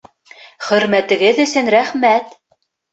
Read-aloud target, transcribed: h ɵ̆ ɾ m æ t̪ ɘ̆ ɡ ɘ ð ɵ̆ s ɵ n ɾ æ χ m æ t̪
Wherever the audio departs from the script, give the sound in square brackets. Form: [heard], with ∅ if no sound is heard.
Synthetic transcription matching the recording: [χ] ɵ̆ ɾ m æ t̪ ɘ̆ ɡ ɘ ð ɵ̆ s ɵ n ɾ æ χ m æ t̪